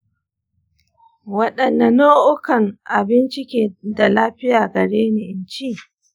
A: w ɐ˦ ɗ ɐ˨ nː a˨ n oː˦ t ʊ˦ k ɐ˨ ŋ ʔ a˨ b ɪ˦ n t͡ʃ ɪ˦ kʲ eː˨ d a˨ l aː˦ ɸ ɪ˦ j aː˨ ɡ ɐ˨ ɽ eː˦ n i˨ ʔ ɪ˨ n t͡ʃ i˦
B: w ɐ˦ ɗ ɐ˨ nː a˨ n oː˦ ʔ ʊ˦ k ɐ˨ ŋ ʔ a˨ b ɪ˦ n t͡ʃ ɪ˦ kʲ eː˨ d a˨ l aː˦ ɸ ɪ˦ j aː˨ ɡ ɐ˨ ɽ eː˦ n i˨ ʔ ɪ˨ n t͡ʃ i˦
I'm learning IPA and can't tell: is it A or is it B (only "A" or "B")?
B